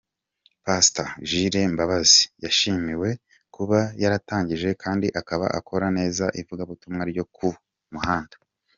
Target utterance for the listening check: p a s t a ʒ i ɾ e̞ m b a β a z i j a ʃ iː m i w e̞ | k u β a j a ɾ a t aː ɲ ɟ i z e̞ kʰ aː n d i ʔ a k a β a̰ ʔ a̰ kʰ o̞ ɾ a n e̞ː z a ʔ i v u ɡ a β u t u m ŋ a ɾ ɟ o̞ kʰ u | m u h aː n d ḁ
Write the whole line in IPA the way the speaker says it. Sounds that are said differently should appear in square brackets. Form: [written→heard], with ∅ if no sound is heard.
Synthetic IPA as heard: p a s t a ʒ i ɾ e̞ m b a β a z i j a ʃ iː m i w e̞ | k u β a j a ɾ a t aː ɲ ɟ i [z→ʒ] e̞ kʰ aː n d i ʔ a k a β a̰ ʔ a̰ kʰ o̞ ɾ a n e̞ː z a ʔ i v u ɡ a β u t u m ŋ a ɾ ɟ o̞ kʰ u | m u h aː n d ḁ